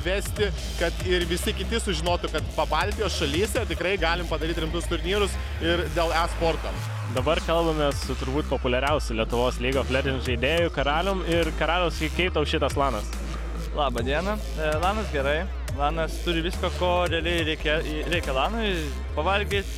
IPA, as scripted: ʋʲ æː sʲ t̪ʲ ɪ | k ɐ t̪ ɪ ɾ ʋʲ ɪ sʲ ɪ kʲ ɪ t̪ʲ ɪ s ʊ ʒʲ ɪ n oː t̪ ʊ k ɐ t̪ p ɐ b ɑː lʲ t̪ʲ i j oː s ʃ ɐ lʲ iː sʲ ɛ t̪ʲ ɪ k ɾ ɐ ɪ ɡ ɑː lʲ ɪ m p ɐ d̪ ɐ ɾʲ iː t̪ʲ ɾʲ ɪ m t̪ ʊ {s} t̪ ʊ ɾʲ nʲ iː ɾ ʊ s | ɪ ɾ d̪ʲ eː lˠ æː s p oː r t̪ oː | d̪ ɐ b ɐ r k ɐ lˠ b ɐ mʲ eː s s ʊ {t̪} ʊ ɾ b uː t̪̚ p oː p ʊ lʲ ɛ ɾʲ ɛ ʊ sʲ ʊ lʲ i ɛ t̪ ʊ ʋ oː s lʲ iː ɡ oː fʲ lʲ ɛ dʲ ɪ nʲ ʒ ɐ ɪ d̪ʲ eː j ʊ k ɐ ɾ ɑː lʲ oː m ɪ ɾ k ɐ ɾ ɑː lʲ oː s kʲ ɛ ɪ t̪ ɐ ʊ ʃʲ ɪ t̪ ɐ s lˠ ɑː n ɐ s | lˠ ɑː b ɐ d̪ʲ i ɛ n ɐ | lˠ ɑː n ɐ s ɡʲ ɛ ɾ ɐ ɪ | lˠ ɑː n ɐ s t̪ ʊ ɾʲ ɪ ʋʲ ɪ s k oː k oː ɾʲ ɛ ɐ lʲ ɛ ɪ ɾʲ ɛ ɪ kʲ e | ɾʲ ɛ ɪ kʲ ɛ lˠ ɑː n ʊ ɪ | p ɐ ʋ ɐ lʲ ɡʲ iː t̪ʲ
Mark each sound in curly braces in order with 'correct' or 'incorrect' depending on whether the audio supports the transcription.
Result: correct, correct

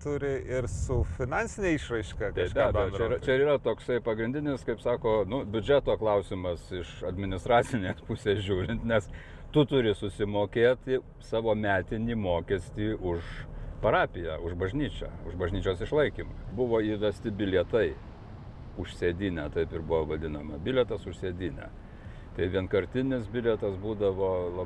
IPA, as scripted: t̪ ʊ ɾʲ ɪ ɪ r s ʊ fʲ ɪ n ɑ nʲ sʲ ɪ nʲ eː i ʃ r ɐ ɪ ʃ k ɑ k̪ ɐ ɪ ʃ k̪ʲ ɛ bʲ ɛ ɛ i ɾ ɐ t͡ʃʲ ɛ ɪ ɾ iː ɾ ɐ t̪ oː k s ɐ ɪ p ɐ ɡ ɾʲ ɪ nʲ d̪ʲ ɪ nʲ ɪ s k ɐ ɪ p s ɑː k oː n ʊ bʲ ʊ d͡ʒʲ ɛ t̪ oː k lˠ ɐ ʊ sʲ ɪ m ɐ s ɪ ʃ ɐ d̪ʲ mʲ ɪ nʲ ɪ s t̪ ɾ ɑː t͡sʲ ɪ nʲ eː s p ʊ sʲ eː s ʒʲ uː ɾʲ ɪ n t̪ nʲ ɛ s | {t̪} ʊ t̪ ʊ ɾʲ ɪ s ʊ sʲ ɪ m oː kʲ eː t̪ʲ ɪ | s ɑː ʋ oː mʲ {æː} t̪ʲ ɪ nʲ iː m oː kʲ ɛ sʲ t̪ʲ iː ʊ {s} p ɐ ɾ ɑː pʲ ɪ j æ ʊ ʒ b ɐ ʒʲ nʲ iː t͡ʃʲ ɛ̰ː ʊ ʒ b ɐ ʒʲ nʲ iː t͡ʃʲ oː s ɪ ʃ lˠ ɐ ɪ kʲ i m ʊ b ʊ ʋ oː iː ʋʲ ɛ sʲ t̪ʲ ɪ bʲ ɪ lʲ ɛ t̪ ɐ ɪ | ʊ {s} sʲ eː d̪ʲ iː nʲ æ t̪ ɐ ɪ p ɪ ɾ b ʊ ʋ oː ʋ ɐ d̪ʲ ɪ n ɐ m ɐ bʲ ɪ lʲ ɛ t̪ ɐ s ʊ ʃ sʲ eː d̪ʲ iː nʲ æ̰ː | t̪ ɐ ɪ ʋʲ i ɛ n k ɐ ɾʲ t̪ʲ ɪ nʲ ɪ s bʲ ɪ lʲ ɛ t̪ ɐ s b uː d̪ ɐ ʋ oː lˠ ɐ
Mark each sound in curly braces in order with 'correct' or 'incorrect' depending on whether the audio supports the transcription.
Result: correct, correct, incorrect, incorrect

